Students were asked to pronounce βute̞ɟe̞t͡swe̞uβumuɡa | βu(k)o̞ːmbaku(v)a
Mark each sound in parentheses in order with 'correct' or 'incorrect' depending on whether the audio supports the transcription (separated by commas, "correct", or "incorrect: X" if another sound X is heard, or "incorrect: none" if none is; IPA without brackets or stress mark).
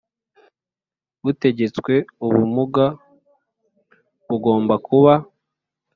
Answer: incorrect: ɡ, incorrect: β